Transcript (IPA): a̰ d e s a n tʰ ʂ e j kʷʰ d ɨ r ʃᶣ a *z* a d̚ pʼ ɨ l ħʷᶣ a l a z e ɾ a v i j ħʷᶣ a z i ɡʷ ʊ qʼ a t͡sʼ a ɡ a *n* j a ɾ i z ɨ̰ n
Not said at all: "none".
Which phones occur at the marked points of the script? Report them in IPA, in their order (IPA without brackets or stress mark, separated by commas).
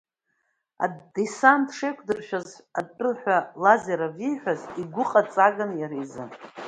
z, n